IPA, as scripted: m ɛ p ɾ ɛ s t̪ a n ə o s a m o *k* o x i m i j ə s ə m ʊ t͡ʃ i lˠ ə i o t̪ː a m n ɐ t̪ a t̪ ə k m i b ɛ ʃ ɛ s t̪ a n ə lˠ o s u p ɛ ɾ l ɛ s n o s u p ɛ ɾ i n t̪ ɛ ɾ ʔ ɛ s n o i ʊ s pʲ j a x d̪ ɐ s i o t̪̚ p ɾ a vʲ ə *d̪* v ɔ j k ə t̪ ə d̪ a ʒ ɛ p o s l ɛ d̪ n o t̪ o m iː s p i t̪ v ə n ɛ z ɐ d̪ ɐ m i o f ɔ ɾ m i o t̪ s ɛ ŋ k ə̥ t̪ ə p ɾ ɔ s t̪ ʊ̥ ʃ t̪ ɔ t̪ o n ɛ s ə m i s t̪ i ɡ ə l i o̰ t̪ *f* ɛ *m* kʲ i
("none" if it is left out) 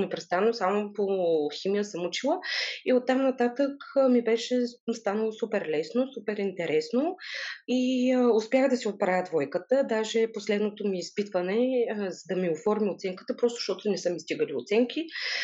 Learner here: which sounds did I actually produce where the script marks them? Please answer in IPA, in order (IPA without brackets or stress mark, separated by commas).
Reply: p, d̪, s, ŋ